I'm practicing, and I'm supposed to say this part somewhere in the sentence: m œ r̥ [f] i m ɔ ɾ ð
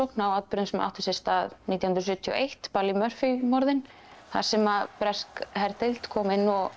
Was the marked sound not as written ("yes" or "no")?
no